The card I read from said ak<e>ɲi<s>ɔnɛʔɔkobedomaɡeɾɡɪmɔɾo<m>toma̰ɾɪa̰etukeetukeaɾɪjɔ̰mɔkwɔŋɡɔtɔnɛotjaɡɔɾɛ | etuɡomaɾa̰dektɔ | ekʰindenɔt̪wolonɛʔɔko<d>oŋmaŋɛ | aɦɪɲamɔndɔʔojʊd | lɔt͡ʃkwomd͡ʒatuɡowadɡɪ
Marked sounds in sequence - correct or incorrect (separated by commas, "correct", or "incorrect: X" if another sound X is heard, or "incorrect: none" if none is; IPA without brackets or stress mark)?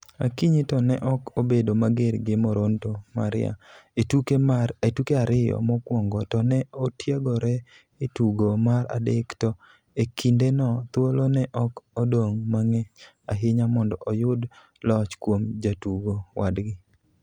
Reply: incorrect: i, incorrect: t, incorrect: n, correct